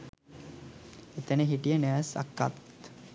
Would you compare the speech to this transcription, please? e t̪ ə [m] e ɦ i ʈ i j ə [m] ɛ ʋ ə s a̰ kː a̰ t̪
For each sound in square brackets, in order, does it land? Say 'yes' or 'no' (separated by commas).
no, no